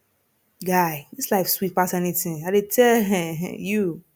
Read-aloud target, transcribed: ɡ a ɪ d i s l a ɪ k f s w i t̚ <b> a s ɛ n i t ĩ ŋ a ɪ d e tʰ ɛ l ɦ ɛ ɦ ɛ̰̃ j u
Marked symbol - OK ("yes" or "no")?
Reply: no